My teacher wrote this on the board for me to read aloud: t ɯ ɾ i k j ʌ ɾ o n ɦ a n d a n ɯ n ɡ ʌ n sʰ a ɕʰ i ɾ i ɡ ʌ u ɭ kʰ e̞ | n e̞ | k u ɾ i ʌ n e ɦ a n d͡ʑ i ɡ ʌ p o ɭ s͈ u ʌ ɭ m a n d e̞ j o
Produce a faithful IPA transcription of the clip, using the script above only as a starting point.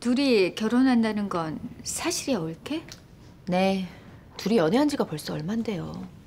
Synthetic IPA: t u ɾ i k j ʌ ɾ o n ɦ a n d a n ɯ n ɡ ʌ n sʰ a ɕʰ i ɾ i ʌ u ɭ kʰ e̞ | n e̞ | t u ɾ i ʌ n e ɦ a n d͡ʑ i ɡ a p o ɭ s͈ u ʌ ɭ m a n d e̞ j o

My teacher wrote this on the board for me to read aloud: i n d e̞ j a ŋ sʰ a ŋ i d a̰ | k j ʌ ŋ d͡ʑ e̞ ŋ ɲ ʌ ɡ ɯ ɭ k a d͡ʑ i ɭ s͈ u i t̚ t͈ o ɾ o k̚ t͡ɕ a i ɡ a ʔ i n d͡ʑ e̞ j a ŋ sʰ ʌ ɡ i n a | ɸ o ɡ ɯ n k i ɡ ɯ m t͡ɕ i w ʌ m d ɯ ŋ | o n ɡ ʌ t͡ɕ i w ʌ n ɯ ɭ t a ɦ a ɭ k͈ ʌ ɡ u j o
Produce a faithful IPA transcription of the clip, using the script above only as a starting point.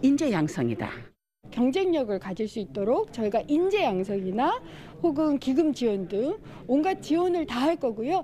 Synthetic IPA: i n d͡ʑ e̞ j a ŋ sʰ ʌ ŋ i d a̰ | k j ʌ ŋ d͡ʑ e̞ ŋ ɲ ʌ ɡ ɯ ɭ k a d͡ʑ i ɭ s͈ u i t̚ t͈ o ɾ o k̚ t͡ɕ ʌ i ɡ a ʔ i n d͡ʑ e̞ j a ŋ sʰ ʌ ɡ i n a | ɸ o ɡ ɯ n k i ɡ ɯ m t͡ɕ i w ʌ n d ɯ ŋ | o n ɡ a t͡ɕ i w ʌ n ɯ ɭ t a ɦ a ɭ k͈ ʌ ɡ u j o

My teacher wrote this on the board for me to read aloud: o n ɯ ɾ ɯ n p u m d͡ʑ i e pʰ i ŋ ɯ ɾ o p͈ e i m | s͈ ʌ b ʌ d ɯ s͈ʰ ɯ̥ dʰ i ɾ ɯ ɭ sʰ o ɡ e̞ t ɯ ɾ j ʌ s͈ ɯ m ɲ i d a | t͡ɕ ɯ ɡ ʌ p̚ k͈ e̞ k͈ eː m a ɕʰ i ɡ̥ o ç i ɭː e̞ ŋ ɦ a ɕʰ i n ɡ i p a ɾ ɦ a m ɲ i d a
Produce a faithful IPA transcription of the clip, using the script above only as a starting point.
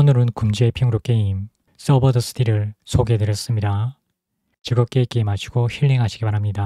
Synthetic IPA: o n ɯ ɾ ɯ n k u m d͡ʑ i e pʰ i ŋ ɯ ɾ o k͈ e i m | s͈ ʌ b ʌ d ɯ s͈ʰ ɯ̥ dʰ i ɾ ɯ ɭ sʰ o ɡ e̞ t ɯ ɾ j ʌ s͈ ɯ m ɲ i d a | t͡ɕ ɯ ɡ ʌ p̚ k͈ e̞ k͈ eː m a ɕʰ i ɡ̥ o ç i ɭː e̞ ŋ ɦ a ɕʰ i ɡ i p a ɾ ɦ a m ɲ i d a

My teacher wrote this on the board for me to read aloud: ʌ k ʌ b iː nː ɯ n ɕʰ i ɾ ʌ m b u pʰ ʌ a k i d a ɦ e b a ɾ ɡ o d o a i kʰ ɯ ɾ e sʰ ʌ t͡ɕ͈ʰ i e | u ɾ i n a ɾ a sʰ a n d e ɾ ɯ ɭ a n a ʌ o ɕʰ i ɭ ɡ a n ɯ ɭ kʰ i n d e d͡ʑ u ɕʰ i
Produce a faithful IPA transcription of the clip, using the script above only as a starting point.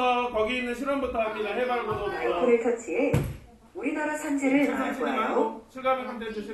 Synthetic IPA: ʌ k ʌ ɡ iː nː ɯ n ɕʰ i ɾ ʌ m b u tʰ ʌ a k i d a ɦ e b a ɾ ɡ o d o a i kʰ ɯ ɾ e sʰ ʌ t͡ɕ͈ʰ i e | u ɾ i n a ɾ a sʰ a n d͡ʑ e ɾ ɯ ɭ a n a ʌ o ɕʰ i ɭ ɡ a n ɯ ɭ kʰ a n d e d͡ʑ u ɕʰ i

